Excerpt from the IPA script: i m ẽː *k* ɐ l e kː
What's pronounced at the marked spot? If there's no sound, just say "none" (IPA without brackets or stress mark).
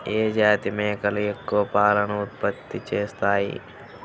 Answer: k